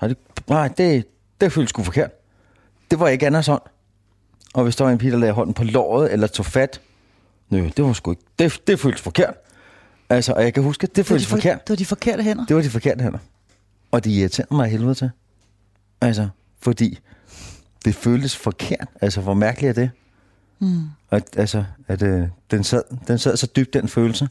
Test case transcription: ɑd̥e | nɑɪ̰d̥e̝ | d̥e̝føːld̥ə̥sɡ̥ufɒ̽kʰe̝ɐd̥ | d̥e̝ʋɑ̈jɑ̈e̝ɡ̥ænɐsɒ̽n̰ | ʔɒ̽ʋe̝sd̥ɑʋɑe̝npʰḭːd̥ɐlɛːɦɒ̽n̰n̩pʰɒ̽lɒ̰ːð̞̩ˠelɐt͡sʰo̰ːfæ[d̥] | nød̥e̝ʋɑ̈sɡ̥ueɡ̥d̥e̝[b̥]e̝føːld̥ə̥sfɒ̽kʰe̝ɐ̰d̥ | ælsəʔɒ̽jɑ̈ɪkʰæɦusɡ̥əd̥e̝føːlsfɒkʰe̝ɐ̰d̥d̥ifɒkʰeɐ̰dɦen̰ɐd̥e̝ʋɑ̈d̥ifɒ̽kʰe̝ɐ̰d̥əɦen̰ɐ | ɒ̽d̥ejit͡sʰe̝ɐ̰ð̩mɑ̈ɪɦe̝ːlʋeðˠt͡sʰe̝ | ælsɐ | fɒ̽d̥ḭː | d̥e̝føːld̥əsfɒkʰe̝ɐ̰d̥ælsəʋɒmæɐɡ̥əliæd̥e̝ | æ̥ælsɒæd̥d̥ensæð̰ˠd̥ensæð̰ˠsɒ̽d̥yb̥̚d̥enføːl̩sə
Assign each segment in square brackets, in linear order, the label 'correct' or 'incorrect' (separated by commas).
correct, incorrect